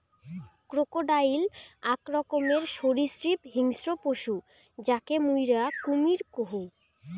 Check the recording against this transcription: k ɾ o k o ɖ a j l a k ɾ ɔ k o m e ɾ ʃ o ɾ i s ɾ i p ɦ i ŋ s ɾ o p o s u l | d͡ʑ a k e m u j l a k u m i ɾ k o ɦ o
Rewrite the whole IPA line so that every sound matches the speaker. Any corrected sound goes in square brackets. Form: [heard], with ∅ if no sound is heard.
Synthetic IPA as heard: k ɾ o k o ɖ a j l a k ɾ ɔ k o m e ɾ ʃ o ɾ i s ɾ i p ɦ i ŋ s ɾ o p o [ʃ] u [∅] | d͡ʑ a k e m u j [ɾ] a k u m i ɾ k o ɦ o